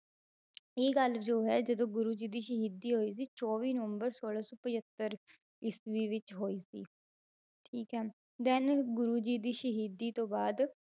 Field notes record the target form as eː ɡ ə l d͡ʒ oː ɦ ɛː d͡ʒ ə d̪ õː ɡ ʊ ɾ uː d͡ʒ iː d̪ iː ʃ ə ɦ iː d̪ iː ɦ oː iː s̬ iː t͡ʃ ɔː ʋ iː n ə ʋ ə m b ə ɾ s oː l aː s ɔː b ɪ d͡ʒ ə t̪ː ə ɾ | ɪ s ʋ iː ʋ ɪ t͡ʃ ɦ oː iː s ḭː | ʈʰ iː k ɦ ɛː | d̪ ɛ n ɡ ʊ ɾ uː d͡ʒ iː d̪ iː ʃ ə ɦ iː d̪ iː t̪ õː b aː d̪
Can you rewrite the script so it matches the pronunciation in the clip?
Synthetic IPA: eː ɡ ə l d͡ʒ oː ɦ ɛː d͡ʒ ə d̪ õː ɡ ʊ ɾ uː d͡ʒ iː d̪ iː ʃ ə ɦ iː d̪ iː ɦ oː iː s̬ iː t͡ʃ ɔː ʋ iː n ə ʋ ə m b ə ɾ s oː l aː s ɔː p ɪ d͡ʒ ə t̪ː ə ɾ | ɪ s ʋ iː ʋ ɪ t͡ʃ ɦ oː iː s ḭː | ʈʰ iː k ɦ ɛː | d̪ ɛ n ɡ ʊ ɾ uː d͡ʒ iː d̪ iː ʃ ə ɦ iː d̪ iː t̪ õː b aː d̪